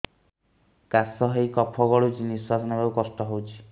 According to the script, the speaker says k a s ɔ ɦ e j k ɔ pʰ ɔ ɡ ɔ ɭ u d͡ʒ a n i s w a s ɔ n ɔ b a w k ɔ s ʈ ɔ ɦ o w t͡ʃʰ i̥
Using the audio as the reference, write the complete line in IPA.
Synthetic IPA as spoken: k a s ɔ ɦ e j k ɔ pʰ ɔ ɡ ɔ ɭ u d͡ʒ i n i s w a s ɔ n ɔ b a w k ɔ s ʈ ɔ ɦ o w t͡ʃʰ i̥